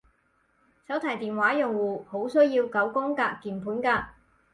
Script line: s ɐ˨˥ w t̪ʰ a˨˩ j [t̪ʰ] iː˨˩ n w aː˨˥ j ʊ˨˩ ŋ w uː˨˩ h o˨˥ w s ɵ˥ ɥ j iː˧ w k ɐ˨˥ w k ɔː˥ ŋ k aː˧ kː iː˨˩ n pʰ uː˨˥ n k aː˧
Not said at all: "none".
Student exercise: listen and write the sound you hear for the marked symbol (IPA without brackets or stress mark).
t̪